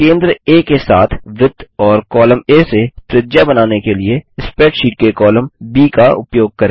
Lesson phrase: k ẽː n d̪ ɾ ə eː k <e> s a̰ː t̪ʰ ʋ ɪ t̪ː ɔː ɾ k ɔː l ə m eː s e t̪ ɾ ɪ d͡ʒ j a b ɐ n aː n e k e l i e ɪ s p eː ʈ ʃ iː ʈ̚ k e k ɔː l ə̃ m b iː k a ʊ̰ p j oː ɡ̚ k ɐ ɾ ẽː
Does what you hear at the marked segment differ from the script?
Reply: no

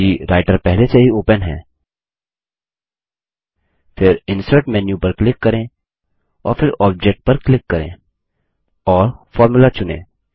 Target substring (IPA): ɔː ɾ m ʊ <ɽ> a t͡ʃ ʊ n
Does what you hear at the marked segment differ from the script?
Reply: yes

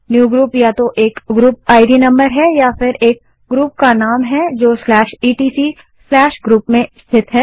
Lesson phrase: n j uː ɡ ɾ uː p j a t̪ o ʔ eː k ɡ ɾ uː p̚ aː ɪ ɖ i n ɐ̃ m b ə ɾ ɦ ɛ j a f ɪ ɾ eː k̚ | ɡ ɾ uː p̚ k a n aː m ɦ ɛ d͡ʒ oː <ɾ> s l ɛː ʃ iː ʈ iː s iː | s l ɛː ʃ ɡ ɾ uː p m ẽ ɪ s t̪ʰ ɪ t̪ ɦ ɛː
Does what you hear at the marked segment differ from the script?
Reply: yes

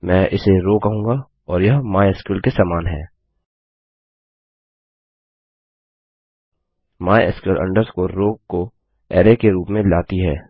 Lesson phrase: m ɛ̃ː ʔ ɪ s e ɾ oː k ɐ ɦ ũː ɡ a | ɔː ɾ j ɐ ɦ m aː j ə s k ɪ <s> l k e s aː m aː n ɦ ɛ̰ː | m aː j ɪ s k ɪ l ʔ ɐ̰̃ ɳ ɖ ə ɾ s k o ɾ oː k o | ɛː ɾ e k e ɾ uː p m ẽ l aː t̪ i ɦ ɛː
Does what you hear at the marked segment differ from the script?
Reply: yes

